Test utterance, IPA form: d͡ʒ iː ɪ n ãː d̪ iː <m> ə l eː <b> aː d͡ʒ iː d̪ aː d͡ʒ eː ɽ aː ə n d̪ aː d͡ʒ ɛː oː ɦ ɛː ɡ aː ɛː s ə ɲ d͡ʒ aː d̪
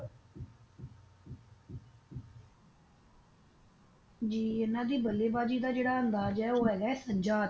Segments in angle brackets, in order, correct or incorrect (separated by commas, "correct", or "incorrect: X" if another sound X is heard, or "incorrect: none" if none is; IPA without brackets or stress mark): incorrect: b, correct